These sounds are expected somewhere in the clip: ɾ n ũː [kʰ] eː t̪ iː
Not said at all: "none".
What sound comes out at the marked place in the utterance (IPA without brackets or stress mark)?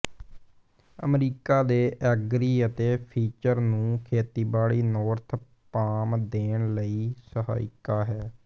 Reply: kʰ